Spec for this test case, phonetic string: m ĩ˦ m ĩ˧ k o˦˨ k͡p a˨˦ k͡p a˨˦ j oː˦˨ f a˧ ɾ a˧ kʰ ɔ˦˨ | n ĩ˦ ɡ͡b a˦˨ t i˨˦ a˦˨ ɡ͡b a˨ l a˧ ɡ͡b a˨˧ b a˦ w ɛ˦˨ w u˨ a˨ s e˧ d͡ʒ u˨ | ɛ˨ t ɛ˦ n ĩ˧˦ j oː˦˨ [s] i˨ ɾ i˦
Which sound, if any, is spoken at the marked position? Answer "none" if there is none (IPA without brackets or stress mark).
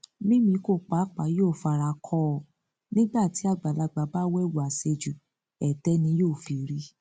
f